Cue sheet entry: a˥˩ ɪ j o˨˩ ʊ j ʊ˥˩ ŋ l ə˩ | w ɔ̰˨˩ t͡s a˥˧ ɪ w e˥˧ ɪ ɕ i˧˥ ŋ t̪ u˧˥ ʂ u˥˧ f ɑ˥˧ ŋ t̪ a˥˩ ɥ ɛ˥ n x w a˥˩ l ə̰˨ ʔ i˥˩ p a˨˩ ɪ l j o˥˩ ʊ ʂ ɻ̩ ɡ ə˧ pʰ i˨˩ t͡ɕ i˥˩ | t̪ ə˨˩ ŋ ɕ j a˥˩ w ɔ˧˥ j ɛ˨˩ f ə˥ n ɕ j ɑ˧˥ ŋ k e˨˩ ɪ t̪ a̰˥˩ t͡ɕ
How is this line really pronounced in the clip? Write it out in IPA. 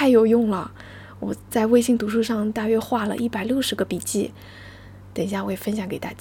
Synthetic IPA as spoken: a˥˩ ɪ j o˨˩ ʊ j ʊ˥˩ ŋ l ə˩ | w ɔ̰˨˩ t͡s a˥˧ ɪ w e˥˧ ɪ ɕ i˥˩ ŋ t̪ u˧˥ ʂ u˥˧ ʂ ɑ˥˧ ŋ t̪ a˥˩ ɥ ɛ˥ x w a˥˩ l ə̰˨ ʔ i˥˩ p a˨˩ ɪ l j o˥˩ ʊ ʂ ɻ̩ ɡ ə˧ p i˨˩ t͡ɕ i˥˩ | t̪ ə˨˩ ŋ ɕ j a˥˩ w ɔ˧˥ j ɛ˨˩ f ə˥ n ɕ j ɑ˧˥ ŋ k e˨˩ ɪ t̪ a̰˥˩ t͡ɕ